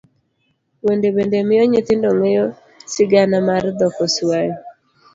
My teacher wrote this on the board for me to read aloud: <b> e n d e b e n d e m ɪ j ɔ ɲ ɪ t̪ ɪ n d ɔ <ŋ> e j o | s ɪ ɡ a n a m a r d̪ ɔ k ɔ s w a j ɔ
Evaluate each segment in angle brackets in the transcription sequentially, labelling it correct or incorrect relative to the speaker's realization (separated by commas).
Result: incorrect, correct